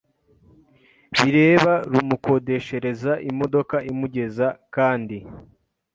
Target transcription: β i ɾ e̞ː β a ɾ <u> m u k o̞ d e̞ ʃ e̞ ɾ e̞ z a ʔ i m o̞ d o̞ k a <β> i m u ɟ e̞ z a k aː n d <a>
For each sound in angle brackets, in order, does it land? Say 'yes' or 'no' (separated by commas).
yes, no, no